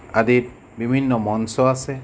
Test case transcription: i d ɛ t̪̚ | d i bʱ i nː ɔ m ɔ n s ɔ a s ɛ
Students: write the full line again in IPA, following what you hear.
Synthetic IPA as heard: a d i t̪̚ | b i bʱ i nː ɔ m ɔ n s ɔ a s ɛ

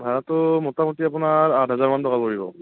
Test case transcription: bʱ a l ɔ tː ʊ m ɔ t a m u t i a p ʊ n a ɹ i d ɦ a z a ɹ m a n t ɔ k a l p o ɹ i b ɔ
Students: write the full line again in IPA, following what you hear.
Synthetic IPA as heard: bʱ a ɹ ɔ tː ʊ m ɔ t a m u t i a p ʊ n a ɹ a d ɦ a z a ɹ m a n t ɔ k a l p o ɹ i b ɔ

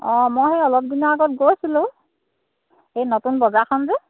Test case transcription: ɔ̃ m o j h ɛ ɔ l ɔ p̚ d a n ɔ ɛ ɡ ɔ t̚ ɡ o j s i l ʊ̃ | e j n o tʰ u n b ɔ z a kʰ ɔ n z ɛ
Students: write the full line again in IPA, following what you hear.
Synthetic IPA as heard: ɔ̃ m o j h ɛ ɔ l ɔ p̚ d i n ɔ a ɡ ɔ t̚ ɡ o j s i l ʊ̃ | e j n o t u n b ɔ z a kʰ ɔ n z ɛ

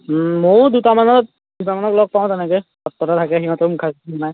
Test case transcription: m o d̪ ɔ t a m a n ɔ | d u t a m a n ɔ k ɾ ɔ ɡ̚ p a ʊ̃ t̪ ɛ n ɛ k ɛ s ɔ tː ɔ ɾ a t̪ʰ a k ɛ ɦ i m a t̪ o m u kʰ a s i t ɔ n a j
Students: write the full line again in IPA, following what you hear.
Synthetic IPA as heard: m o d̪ u t a m a n ɔ | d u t a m a n ɔ k l ɔ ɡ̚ p a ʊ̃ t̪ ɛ n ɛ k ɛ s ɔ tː ɔ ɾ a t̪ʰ a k ɛ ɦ i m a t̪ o m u kʰ a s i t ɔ n a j

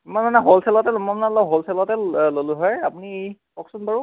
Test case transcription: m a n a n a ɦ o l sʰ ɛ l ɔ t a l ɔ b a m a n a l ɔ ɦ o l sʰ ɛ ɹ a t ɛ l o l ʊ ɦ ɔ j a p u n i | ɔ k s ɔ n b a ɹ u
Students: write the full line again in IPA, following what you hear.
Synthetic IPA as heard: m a n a n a ɦ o l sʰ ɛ l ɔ t ɛ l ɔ m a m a n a l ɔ ɦ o l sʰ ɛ l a t ɛ l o l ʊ ɦ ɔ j a p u n i | ɔ k s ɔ n b a ɹ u

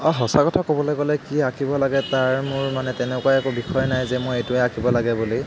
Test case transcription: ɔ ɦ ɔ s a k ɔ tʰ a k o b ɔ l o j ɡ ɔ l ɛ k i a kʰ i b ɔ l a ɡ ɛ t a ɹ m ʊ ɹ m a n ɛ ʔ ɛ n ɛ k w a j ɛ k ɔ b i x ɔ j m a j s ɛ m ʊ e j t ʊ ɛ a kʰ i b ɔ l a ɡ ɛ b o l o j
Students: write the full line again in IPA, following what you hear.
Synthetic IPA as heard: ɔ ɦ ɔ s a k ɔ tʰ a k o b ɔ l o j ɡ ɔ l ɛ k i a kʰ i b ɔ l a ɡ ɛ t a ɹ m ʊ ɹ m a n ɛ t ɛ n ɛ k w a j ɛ k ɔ b i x ɔ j n a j z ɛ m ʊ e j t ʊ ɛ a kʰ i b ɔ l a ɡ ɛ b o l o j

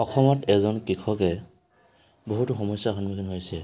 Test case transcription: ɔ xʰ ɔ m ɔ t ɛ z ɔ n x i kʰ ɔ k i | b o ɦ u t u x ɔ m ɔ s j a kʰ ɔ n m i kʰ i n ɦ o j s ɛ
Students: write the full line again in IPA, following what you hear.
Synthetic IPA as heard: ɔ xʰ ɔ m ɔ t ɛ z ɔ n k i kʰ ɔ k ɛ | b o ɦ u t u x ɔ m ɔ s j a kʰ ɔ n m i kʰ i n ɦ o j s ɛ

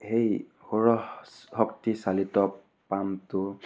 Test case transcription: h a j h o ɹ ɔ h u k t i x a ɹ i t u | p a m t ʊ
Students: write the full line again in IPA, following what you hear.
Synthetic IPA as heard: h e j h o ɹ ɔ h ɔ k t i s a l i t ɔ | p a m t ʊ

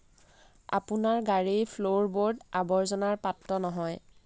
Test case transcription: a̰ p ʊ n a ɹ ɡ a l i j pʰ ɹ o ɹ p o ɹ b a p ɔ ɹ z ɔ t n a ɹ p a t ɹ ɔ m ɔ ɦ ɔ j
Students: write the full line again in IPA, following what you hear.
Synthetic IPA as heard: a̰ p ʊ n a ɹ ɡ a ɹ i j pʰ l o ɹ b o ɹ d a b ɔ ɹ z ɔ n a ɹ p a t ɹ ɔ n ɔ ɦ ɔ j

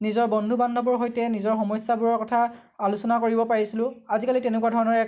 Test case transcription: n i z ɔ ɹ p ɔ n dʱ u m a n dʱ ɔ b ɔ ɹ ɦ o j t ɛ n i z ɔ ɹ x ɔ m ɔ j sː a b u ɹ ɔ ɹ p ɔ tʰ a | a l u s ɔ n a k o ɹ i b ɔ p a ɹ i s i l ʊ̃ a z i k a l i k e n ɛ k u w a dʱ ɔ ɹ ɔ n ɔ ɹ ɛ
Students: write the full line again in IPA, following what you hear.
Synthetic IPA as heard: n i z ɔ ɹ b ɔ n dʱ u b a n dʱ ɔ b ɔ ɹ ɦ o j t ɛ n i z ɔ ɹ x ɔ m ɔ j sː a b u ɹ ɔ ɹ k ɔ tʰ a | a l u s ɔ n a k o ɹ i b ɔ p a ɹ i s i l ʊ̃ a z i k a l i t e n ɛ k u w a dʱ ɔ ɹ ɔ n ɔ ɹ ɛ

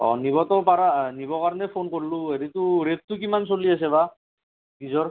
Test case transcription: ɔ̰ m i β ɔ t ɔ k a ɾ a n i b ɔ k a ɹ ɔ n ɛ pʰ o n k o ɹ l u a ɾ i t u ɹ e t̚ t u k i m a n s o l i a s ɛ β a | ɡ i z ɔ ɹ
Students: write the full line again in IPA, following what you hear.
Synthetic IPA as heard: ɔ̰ n i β ɔ t ɔ p a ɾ a n i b ɔ k a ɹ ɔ n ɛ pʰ o n k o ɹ l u e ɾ i t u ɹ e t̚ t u k i m a n s o l i a s ɛ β a | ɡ i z ɔ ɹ

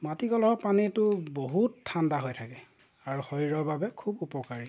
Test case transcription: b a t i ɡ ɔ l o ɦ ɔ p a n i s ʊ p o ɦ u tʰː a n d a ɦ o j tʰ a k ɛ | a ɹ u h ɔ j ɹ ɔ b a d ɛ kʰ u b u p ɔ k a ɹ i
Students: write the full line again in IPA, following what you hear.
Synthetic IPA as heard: m a t i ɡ ɔ l ɔ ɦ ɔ p a n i t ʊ b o ɦ u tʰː a n d a ɦ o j tʰ a k ɛ | a ɹ u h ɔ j ɹ ɔ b a b ɛ kʰ u b u p ɔ k a ɹ i

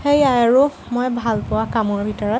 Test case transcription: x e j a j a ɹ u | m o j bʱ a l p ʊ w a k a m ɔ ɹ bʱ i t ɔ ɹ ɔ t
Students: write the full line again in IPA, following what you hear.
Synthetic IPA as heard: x e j a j a ɹ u | m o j bʱ a l p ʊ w a k a m ɔ ɹ bʱ i t ɔ ɹ ɔ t

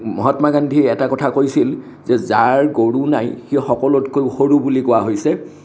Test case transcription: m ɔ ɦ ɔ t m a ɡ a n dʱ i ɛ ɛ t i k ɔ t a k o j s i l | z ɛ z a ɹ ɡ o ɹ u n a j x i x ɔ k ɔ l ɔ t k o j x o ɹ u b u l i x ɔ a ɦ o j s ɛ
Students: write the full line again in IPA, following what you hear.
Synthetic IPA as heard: m ɔ ɦ ɔ t m a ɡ a n dʱ i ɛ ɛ t a k ɔ tʰ a k o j s i l | z ɛ z a ɹ ɡ o ɹ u n a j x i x ɔ k ɔ l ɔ t k o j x o ɹ u b u l i k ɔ a ɦ o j s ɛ

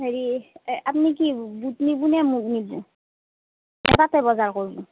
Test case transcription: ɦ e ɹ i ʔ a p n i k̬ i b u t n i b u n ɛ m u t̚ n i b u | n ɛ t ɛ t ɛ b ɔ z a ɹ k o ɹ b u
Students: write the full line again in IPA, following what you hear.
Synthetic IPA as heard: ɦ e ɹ i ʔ a p n i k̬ i b u t n i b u n ɛ m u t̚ n i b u | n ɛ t a t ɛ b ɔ z a ɹ k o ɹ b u

